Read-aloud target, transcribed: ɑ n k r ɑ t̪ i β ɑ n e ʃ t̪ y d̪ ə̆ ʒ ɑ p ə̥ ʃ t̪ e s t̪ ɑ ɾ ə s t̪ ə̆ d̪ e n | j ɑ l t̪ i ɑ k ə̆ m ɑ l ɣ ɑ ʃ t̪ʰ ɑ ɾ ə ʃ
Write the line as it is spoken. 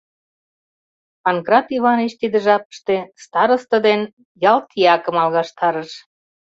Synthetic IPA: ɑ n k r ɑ t̪ i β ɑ n e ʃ t̪ i d̪ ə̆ ʒ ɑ p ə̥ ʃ t̪ e s t̪ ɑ ɾ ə s t̪ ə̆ d̪ e n | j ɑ l t̪ i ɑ k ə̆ m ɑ l ɣ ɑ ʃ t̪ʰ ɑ ɾ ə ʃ